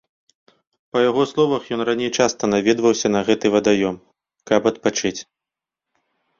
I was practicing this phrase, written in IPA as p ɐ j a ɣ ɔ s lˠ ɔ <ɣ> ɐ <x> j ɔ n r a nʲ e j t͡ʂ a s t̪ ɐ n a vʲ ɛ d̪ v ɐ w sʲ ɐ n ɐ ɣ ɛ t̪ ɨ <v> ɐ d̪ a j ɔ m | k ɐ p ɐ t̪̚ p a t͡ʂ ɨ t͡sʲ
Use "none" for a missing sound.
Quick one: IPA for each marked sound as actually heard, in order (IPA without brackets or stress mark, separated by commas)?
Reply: v, x, v